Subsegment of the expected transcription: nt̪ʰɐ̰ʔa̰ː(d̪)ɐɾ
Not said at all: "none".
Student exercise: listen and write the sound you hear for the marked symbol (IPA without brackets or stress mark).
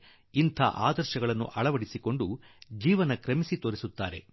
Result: d̪